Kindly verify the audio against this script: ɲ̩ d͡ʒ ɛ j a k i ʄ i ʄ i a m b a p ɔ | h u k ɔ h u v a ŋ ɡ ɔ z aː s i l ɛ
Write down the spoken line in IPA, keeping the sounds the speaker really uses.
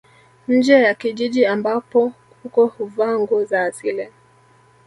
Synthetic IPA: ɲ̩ d͡ʒ ɛ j a k i ʄ i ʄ i a m b a p ɔ | h u k ɔ h u v a ŋ ɡ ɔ z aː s i l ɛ